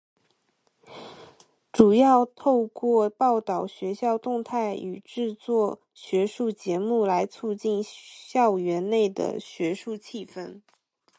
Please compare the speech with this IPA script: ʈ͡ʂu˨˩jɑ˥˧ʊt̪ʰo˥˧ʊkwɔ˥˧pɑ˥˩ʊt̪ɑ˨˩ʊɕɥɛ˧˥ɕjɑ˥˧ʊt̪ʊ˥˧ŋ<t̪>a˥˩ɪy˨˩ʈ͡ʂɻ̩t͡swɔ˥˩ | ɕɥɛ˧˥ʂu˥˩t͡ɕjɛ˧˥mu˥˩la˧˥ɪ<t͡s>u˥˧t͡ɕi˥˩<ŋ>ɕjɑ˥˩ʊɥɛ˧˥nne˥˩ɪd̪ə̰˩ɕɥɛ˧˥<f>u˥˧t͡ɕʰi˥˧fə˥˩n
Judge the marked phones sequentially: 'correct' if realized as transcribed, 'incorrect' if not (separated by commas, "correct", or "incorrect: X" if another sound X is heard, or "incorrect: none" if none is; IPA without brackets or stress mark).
incorrect: t̪ʰ, incorrect: t͡sʰ, incorrect: n, incorrect: ʂ